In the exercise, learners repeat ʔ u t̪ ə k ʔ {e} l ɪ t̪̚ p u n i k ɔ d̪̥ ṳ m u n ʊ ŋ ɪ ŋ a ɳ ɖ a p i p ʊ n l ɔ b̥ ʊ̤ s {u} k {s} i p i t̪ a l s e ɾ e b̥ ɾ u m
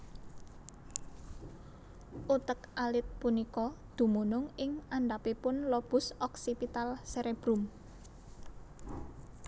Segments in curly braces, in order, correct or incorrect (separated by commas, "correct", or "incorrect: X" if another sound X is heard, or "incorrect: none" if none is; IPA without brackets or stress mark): incorrect: a, incorrect: ɔ, correct